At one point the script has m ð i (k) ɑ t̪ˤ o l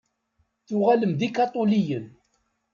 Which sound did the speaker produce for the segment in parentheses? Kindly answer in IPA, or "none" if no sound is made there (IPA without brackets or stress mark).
k